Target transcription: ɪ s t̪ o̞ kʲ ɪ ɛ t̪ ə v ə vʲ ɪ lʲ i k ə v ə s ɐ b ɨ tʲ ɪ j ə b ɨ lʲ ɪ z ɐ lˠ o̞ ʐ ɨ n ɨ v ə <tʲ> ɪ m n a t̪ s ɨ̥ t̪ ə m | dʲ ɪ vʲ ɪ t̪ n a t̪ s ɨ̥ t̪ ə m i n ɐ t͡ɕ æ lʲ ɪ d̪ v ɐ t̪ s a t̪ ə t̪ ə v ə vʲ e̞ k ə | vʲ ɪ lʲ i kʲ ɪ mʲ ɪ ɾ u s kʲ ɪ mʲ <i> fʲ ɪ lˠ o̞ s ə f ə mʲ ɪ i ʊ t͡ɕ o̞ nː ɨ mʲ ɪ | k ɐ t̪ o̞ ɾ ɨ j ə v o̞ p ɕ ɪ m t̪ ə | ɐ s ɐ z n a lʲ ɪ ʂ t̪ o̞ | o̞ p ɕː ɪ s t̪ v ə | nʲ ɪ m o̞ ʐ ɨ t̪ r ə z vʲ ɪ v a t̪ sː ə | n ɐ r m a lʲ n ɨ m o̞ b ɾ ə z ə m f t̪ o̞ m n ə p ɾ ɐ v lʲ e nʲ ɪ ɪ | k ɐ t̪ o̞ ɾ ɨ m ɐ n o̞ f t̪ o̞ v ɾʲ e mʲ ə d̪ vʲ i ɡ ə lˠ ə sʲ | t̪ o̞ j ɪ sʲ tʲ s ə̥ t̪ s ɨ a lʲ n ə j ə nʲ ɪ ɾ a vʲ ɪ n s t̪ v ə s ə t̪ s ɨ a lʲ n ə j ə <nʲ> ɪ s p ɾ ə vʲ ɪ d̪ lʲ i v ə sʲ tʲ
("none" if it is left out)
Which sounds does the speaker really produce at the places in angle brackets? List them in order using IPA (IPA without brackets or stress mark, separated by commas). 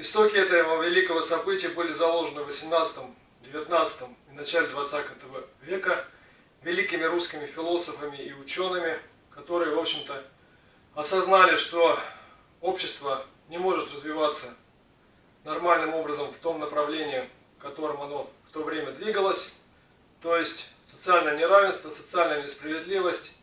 sʲ, ɪ, nʲ